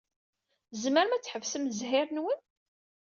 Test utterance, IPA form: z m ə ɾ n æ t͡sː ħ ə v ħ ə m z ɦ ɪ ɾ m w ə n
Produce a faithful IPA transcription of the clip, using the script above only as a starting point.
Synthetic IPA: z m ə ɾ m æ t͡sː ħ ə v s ə m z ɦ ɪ ɾ n w ə n